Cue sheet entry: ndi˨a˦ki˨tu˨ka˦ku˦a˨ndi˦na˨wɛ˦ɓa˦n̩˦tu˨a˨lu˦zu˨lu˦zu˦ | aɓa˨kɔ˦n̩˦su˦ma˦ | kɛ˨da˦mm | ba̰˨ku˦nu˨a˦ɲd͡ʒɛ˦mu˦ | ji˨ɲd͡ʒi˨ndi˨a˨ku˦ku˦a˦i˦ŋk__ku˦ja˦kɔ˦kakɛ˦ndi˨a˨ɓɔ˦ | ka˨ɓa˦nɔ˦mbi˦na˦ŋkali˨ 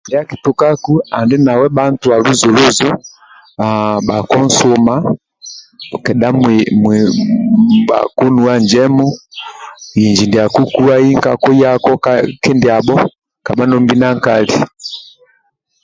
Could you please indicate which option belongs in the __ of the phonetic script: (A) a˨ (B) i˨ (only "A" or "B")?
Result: A